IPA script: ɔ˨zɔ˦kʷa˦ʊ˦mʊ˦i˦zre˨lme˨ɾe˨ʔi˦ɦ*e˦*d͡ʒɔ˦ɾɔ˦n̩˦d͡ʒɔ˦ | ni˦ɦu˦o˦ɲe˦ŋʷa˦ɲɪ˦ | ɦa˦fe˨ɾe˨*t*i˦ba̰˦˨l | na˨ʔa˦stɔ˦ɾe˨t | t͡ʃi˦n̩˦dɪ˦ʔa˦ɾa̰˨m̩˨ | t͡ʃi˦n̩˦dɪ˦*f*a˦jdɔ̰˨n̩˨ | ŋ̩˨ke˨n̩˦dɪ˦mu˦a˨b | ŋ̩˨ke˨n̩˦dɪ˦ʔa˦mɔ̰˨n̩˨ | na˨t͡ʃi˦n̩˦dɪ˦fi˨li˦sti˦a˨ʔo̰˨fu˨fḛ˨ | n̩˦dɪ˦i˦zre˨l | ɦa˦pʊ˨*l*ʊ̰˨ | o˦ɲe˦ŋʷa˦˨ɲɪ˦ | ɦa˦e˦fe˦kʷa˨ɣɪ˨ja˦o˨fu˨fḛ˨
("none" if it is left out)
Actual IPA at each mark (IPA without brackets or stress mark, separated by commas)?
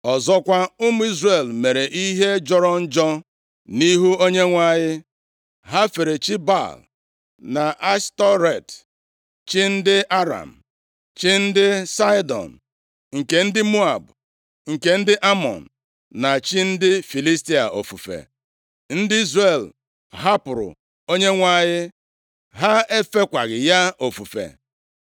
e˦, t͡ʃ, s, ɾ